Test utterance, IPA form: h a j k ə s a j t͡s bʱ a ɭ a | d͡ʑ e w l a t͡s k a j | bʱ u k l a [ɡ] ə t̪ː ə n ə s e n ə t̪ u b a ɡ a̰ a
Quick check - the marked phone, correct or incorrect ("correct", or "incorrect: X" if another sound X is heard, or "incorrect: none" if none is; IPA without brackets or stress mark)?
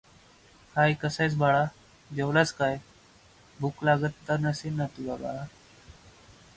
correct